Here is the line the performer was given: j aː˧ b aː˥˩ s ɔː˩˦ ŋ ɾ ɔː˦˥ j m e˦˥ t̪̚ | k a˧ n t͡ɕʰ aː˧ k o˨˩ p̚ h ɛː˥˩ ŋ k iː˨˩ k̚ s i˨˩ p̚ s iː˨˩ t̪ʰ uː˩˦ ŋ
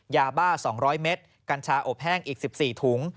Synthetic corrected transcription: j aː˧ b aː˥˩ s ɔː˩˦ ŋ ɾ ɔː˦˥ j m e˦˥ t̪̚ | k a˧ n t͡ɕʰ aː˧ ʔ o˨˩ p̚ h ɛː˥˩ ŋ ʔ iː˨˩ k̚ s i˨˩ p̚ s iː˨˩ t̪ʰ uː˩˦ ŋ